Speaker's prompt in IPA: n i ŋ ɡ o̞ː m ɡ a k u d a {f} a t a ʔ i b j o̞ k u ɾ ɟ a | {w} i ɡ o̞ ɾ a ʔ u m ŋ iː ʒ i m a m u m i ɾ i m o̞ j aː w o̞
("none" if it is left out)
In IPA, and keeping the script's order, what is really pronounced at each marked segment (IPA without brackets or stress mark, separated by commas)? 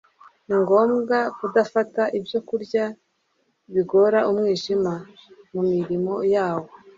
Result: f, β